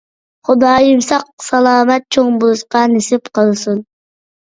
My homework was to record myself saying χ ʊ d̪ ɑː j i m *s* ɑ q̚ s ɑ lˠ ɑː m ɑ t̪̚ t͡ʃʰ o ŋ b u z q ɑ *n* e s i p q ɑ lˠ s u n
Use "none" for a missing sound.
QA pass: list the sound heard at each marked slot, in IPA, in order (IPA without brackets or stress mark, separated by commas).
s, n